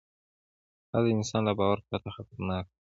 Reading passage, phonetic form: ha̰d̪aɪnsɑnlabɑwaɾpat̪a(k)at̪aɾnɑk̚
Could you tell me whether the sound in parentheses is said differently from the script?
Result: yes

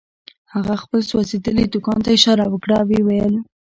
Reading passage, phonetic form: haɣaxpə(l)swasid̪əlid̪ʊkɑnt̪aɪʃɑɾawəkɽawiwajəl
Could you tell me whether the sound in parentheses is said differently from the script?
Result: no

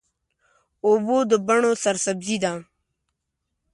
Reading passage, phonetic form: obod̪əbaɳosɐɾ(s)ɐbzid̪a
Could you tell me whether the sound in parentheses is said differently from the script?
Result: no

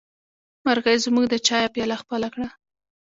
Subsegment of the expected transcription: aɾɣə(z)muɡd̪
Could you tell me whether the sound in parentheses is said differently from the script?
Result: no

